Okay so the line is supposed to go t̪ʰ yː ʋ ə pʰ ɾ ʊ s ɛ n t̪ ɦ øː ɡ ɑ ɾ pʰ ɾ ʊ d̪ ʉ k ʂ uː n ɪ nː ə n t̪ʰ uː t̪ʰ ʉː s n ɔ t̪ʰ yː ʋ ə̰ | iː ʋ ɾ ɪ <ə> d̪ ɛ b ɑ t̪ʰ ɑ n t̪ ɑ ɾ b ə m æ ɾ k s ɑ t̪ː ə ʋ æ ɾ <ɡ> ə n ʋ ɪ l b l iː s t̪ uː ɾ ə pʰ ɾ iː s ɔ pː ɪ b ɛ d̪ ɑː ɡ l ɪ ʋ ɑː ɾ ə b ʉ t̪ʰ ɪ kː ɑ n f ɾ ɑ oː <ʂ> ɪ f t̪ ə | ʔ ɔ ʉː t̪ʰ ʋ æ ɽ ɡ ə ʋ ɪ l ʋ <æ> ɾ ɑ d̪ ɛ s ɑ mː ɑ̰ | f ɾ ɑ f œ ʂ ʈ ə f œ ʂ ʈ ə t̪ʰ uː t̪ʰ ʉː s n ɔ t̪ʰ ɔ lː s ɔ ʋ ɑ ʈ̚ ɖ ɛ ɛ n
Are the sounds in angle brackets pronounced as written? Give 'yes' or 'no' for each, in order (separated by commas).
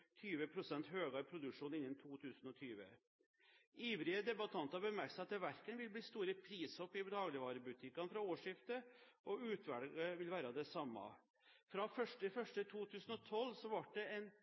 yes, no, yes, no